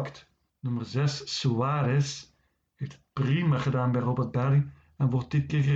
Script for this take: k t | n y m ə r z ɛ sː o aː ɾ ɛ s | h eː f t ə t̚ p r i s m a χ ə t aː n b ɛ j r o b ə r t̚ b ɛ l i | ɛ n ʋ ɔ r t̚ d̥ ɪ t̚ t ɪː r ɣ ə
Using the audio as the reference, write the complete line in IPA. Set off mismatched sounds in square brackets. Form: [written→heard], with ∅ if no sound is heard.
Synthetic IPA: k t | n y m ə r z ɛ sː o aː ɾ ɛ s | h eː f t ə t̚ p r i [s→∅] m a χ ə [t→d] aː n b ɛ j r o b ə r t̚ b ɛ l i | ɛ n ʋ ɔ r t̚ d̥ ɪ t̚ [t→k] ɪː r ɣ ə